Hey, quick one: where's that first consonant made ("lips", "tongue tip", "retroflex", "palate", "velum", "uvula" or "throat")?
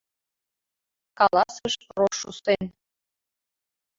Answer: velum